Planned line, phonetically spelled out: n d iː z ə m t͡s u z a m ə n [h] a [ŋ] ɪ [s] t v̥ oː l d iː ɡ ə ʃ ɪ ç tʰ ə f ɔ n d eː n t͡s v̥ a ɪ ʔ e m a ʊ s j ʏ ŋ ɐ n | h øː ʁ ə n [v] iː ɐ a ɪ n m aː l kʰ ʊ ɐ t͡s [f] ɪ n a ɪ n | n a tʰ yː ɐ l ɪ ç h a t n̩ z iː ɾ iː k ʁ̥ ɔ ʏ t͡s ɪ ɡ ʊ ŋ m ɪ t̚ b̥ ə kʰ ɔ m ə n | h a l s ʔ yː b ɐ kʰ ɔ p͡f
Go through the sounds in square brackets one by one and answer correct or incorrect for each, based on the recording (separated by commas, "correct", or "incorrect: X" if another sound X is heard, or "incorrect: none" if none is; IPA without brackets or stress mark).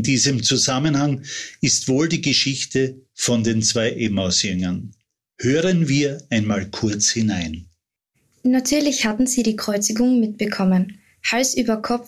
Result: correct, correct, correct, correct, incorrect: h